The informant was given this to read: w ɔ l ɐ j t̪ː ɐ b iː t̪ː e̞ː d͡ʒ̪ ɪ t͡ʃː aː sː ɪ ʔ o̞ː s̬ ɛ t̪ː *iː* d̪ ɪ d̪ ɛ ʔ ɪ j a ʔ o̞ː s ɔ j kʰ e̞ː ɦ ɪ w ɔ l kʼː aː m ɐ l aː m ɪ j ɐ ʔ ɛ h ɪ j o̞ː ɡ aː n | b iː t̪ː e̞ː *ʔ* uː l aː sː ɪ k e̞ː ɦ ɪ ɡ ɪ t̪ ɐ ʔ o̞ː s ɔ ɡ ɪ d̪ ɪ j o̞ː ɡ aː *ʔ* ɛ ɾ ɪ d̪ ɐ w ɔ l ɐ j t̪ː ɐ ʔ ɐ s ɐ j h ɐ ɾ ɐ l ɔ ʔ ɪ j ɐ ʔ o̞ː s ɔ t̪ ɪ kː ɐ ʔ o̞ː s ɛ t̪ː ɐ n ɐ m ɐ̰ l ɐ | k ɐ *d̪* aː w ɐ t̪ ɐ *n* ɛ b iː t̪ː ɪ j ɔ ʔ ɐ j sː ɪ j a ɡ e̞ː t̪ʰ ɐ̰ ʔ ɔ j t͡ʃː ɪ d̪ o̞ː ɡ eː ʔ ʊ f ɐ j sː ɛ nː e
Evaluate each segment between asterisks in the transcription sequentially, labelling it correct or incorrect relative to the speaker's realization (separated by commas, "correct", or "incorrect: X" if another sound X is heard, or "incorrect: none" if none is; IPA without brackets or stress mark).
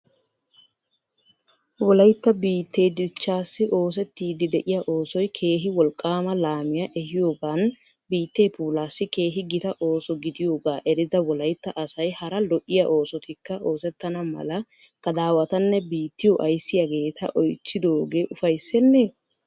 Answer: correct, incorrect: p, correct, correct, incorrect: nː